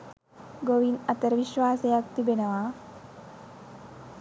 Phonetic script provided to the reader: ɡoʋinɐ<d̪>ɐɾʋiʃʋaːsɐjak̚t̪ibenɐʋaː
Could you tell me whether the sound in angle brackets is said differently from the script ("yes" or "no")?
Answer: yes